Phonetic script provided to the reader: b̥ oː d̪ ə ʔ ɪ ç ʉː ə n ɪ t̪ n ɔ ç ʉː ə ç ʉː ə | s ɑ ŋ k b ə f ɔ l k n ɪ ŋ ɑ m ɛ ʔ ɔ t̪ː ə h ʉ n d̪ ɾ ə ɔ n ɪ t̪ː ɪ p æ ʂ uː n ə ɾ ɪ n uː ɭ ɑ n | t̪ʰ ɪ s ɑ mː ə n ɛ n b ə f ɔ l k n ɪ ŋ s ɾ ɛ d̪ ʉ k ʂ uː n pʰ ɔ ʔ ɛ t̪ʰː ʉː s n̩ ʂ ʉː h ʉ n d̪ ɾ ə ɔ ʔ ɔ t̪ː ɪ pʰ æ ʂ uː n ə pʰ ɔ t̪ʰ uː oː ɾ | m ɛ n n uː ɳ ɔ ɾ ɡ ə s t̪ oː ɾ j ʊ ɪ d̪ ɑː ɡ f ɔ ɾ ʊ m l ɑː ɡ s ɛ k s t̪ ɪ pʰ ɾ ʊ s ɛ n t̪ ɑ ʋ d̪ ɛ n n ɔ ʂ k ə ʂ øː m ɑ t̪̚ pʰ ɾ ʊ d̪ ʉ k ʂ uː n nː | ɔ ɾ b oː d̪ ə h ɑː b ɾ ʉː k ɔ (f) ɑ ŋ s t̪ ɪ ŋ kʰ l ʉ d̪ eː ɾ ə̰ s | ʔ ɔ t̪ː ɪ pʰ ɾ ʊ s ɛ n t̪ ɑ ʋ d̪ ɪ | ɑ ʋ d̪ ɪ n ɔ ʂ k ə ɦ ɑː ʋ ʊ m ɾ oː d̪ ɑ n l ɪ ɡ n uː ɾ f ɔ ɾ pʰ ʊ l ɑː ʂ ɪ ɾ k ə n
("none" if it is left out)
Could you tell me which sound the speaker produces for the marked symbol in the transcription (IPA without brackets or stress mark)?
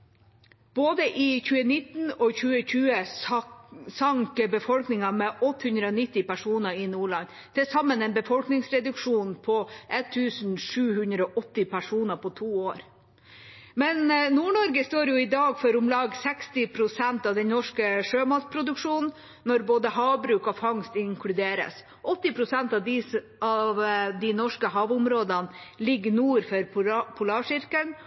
f